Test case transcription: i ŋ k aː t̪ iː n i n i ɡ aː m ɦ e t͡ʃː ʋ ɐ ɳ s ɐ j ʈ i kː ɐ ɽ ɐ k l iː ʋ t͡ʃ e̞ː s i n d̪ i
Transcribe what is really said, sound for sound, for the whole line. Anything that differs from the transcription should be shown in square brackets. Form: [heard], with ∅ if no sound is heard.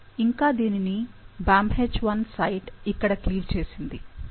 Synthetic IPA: i ŋ k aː [d̪] iː n i n i [b] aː m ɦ e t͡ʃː ʋ ɐ [n] s ɐ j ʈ i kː ɐ ɽ ɐ k l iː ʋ t͡ʃ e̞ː s i n d̪ i

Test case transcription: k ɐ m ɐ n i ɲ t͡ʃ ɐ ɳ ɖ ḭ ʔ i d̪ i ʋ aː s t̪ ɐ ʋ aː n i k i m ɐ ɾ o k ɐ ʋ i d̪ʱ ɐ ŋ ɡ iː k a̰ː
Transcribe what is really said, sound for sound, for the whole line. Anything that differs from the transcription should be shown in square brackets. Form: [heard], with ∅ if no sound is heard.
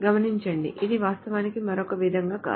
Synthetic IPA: [ɡ] ɐ m ɐ n i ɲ t͡ʃ ɐ ɳ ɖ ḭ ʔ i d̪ i ʋ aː s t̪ ɐ ʋ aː n i k i m ɐ ɾ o k ɐ ʋ i d̪ʱ ɐ ŋ ɡ [aː] k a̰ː

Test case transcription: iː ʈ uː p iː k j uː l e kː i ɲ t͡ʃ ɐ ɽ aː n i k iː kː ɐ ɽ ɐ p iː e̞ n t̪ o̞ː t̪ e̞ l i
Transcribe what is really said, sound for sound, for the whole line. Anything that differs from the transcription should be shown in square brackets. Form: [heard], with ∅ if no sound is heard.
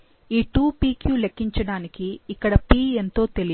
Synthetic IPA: iː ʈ uː p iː k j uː l e kː i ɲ t͡ʃ ɐ ɽ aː n i k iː kː ɐ ɽ ɐ p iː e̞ n t̪ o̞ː t̪ e̞ l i

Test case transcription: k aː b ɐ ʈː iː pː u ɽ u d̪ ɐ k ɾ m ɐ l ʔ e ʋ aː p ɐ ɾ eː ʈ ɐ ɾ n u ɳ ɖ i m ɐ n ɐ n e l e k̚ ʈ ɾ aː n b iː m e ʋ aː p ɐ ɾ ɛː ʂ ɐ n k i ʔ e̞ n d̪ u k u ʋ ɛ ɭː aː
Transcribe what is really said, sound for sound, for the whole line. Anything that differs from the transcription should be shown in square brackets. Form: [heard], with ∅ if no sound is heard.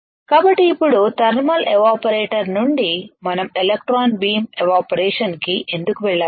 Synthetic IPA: k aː b ɐ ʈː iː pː u ɽ u [t̪] ɐ [∅] ɾ m ɐ l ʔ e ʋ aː p ɐ ɾ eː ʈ ɐ ɾ n u ɳ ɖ i m ɐ n ɐ [m] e l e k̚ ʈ ɾ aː n b iː m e ʋ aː p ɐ ɾ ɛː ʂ ɐ n k i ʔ e̞ n d̪ u k u ʋ ɛ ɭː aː

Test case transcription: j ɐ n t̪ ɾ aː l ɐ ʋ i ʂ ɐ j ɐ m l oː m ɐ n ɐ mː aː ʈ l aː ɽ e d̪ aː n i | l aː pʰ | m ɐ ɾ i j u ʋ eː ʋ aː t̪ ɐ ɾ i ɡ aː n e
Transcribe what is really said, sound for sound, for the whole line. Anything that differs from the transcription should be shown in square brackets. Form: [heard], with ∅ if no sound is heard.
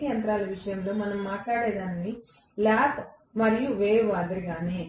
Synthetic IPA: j ɐ n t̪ ɾ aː l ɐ ʋ i ʂ ɐ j ɐ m l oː m ɐ n ɐ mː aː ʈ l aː ɽ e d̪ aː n i | l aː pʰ | m ɐ ɾ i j u ʋ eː ʋ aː [d̪] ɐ ɾ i ɡ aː n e

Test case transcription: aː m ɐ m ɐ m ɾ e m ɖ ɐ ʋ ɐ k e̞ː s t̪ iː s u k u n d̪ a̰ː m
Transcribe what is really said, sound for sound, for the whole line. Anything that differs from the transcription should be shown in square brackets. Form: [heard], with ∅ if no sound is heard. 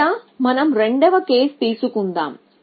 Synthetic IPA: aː m ɐ [n] ɐ m ɾ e [ɳ] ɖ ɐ ʋ ɐ k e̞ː s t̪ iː s u k u n d̪ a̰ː m

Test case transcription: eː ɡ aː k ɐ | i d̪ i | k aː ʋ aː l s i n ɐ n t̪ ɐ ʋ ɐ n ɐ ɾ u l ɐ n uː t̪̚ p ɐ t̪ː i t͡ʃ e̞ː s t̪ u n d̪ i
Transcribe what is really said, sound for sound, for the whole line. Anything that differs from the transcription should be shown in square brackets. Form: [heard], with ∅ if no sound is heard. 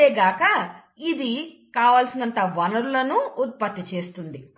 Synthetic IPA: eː ɡ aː k ɐ | i d̪ i | k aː ʋ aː l s i n ɐ n t̪ ɐ ʋ ɐ n ɐ ɾ u l ɐ n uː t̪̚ p ɐ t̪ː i t͡ʃ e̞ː s t̪ u n d̪ i

